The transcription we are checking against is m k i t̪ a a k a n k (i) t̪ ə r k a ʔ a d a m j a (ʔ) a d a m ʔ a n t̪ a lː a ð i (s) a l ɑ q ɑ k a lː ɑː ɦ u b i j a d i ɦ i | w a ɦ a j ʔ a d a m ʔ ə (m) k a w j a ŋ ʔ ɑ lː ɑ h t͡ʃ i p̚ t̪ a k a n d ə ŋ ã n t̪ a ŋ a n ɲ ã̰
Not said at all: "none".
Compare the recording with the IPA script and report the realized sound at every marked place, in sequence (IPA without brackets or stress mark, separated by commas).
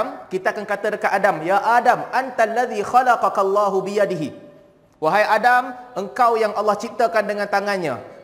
a, ʔ, x, ŋ